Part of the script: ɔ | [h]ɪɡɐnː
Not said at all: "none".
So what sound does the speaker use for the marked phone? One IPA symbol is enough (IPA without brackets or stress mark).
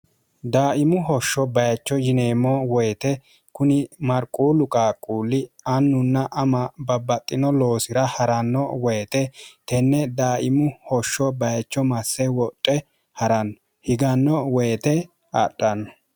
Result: h